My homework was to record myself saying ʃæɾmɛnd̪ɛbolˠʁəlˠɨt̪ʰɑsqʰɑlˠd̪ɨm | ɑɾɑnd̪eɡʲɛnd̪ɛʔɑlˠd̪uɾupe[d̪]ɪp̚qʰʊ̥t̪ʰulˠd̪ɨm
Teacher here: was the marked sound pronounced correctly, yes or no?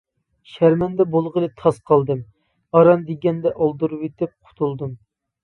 no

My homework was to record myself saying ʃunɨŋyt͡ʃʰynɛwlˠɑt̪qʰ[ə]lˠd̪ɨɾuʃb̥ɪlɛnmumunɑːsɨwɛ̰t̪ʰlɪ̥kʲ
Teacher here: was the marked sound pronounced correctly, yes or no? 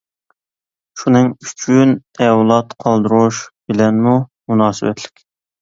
no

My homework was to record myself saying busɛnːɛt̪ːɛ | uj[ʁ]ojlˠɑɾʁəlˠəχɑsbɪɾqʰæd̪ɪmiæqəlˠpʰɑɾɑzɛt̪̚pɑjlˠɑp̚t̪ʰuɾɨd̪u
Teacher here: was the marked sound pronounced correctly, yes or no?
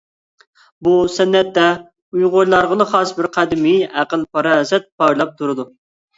yes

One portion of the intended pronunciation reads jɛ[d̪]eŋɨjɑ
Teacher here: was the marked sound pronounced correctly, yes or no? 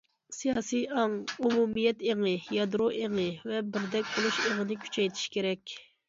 no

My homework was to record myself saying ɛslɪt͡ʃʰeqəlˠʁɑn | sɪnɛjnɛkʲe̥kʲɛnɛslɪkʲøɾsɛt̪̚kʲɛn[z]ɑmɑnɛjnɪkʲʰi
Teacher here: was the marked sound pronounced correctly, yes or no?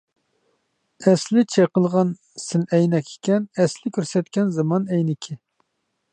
yes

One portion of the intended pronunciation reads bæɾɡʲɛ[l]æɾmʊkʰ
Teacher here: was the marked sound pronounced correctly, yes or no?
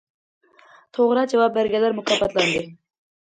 yes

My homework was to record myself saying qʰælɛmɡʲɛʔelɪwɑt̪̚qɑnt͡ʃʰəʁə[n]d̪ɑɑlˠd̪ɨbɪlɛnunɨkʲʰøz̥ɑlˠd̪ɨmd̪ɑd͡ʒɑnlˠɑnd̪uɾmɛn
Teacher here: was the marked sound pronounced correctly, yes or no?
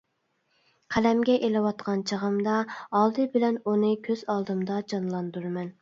no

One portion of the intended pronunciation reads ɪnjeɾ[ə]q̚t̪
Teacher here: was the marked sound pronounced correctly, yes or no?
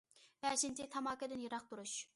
no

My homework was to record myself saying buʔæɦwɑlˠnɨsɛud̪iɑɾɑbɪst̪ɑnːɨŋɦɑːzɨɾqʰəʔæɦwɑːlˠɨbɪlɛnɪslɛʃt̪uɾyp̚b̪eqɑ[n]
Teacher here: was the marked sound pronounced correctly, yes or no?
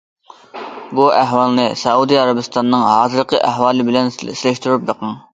no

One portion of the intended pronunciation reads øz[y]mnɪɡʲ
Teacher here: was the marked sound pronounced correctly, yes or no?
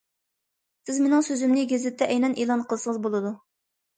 yes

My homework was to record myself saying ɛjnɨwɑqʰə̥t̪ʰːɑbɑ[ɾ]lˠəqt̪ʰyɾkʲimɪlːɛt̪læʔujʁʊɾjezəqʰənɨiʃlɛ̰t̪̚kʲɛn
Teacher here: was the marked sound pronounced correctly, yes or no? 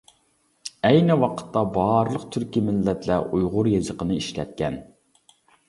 yes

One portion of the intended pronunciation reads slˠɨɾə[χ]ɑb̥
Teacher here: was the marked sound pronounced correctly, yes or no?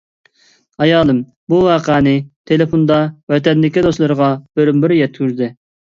no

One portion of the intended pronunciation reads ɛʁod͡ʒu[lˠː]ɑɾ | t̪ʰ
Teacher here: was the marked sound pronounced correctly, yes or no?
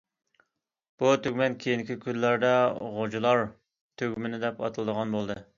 no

